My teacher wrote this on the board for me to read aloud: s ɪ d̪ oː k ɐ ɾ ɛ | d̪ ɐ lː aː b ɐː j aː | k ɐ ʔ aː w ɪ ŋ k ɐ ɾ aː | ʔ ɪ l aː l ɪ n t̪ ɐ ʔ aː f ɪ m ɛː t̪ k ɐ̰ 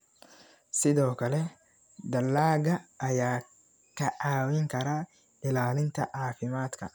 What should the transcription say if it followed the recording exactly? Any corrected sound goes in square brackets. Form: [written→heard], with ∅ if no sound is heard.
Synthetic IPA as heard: s ɪ d̪ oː k ɐ [ɾ→l] ɛ | d̪ ɐ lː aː [b→ɡ] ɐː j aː | k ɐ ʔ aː w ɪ ŋ k ɐ ɾ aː | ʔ ɪ l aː l ɪ n t̪ ɐ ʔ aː f ɪ m [ɛː→aː] t̪ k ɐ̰